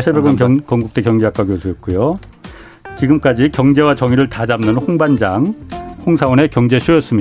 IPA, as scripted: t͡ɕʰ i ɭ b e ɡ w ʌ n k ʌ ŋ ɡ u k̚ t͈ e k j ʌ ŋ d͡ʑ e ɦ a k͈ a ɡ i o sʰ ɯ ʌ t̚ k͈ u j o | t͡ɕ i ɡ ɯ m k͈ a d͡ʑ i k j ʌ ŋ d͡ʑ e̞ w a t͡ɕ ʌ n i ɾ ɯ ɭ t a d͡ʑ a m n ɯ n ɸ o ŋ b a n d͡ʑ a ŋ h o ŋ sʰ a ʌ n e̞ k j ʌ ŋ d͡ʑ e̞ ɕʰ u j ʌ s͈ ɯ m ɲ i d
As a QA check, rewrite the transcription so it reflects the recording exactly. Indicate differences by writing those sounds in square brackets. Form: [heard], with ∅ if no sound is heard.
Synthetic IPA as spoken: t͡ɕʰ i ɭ b e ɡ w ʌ n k ʌ ŋ ɡ u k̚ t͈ e k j ʌ ŋ d͡ʑ e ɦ a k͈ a ɡ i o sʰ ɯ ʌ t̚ k͈ u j o | t͡ɕ i ɡ ɯ m k͈ a d͡ʑ i k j ʌ ŋ d͡ʑ e̞ w a t͡ɕ ʌ [ŋ] i ɾ ɯ ɭ t a d͡ʑ a m n ɯ n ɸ o ŋ b a n d͡ʑ a ŋ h o ŋ sʰ a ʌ n e̞ k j ʌ ŋ d͡ʑ e̞ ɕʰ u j ʌ s͈ ɯ m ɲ i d